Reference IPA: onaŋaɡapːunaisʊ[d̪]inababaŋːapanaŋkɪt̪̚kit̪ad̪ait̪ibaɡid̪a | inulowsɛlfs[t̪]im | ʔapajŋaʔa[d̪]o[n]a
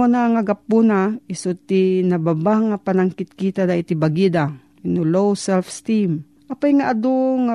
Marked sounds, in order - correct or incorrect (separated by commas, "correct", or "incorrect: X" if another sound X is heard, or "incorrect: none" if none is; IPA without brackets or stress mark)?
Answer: incorrect: t̪, correct, correct, incorrect: ŋ